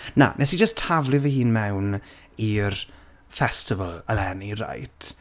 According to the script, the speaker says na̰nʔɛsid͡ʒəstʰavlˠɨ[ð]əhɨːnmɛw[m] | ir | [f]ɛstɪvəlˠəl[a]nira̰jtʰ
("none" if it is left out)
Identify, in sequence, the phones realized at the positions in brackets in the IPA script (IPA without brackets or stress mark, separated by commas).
v, n, f, ɛ